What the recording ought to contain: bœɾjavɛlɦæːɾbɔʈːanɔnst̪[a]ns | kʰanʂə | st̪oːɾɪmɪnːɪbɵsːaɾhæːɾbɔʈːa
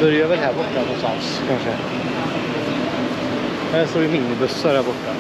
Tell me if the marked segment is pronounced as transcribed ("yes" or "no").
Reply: yes